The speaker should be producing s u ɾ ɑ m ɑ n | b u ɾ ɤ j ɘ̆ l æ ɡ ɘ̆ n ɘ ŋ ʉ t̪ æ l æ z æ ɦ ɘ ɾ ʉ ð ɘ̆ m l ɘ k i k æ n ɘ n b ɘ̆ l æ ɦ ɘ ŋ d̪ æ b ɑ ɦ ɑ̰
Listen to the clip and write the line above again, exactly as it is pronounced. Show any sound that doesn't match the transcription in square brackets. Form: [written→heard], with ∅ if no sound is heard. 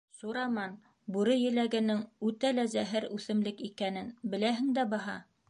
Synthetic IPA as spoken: s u ɾ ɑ m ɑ n | b u ɾ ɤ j ɘ̆ l æ ɡ ɘ̆ n ɘ ŋ ʉ t̪ æ l æ z æ ɦ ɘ ɾ ʉ [ð→θ] ɘ̆ m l ɘ k i k æ n ɘ n b ɘ̆ l æ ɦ ɘ ŋ d̪ æ b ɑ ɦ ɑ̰